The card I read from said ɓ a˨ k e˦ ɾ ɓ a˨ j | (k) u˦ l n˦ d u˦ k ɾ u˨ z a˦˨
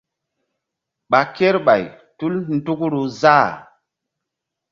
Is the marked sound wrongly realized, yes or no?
yes